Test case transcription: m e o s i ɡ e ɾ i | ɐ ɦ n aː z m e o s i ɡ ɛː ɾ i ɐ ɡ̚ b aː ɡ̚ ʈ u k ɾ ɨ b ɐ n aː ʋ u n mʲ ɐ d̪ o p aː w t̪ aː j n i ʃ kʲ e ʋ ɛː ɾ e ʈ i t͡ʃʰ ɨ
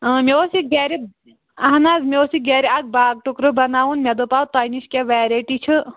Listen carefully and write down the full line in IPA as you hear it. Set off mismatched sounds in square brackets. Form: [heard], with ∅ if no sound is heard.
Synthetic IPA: m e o s i ɡ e ɾ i | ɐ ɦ n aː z m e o s i ɡ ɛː ɾ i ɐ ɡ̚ b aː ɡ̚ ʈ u k ɾ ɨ b ɐ n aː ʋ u n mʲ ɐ d̪ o p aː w t̪ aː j n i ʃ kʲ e ʋ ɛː ɾ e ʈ i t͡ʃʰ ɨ